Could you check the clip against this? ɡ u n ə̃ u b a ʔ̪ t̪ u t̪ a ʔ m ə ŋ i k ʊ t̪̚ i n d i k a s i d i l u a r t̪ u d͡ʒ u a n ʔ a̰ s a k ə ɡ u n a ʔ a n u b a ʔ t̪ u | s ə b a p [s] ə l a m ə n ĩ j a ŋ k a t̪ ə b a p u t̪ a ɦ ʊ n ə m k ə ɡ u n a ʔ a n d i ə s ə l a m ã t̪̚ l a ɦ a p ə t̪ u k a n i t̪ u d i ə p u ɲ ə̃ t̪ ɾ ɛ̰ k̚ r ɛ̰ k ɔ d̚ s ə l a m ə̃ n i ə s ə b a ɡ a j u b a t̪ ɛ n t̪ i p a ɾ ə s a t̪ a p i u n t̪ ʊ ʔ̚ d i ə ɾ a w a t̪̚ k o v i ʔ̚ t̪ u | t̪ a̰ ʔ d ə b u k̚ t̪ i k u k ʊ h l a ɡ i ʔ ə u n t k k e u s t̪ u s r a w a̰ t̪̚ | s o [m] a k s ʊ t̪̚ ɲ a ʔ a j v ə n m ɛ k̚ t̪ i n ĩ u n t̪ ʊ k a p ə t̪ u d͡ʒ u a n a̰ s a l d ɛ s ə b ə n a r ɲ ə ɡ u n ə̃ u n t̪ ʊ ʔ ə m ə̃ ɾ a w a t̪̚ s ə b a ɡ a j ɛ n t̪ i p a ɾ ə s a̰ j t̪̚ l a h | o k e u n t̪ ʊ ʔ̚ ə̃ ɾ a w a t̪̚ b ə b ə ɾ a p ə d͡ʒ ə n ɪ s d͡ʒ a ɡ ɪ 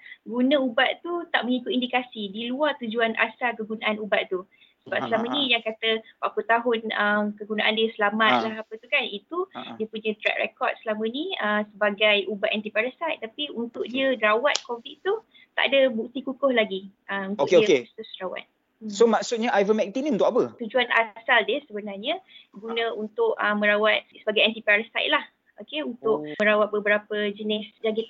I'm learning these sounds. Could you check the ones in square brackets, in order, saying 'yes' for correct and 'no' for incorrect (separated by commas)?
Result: yes, yes